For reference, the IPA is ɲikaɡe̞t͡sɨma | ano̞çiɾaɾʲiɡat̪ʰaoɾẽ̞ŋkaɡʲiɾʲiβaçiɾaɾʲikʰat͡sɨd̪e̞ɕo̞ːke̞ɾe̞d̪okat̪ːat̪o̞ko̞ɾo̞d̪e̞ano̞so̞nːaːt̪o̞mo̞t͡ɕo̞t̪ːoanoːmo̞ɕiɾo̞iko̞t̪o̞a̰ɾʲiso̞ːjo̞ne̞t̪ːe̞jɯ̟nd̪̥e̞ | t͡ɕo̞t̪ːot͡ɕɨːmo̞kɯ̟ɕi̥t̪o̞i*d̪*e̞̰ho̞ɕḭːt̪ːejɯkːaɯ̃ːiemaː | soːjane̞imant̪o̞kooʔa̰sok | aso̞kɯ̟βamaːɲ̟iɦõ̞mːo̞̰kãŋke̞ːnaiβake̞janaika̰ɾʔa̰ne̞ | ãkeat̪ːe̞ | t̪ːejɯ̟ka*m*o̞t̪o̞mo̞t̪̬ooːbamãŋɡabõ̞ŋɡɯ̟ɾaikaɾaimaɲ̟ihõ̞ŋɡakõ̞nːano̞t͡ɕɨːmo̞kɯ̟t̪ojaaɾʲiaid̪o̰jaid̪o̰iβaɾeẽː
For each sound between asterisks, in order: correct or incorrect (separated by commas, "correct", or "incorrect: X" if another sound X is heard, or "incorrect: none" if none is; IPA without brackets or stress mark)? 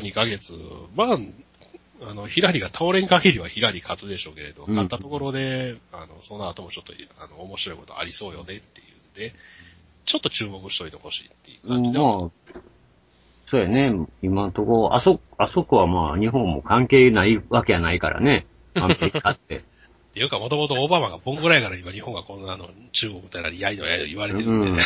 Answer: incorrect: t̪, correct